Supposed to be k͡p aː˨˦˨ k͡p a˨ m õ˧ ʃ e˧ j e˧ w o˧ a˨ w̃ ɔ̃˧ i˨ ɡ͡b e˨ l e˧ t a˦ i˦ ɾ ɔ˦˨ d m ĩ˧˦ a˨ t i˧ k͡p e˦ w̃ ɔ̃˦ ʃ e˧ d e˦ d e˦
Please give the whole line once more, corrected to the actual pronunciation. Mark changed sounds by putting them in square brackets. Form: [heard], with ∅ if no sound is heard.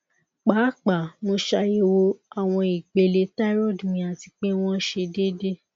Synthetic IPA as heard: k͡p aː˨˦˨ k͡p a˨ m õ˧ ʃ [a˧] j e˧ w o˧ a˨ w̃ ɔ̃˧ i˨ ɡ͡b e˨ l e˧ t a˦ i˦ ɾ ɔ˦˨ d m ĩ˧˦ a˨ t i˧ k͡p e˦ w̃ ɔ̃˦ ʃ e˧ d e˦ d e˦